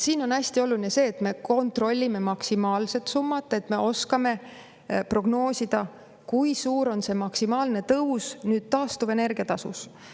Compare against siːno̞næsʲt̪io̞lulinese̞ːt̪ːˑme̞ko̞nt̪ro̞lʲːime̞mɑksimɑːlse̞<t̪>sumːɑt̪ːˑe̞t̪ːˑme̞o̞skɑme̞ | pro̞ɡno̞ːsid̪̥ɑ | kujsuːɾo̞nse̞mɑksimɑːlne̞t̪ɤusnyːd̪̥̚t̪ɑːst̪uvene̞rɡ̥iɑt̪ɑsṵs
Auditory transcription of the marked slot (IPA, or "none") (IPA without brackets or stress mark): t̪